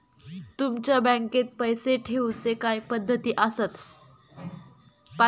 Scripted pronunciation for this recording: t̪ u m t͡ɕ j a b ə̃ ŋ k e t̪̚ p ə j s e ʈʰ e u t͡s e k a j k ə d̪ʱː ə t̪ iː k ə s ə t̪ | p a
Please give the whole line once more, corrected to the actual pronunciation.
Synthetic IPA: t̪ u m t͡ɕ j a b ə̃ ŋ k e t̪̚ p ə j s e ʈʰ e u t͡s e k a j p ə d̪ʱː ə t̪ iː ʔ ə s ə t̪ | p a

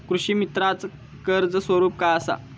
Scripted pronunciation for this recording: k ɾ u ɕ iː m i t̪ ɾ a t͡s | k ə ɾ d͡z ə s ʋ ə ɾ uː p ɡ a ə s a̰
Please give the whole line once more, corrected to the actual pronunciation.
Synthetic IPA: k ɾ u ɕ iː m i t̪ ɾ a t͡s | k ə ɾ d͡z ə s ʋ ə ɾ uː p k a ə s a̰

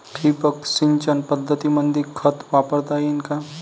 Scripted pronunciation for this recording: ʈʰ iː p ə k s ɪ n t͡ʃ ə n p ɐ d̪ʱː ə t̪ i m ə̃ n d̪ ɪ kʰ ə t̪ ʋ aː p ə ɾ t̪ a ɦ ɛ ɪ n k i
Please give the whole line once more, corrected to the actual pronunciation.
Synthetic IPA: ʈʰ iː p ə k s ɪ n t͡ʃ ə n p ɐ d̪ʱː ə t̪ i m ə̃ n d̪ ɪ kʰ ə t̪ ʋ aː p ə ɾ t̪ a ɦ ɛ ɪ n k a

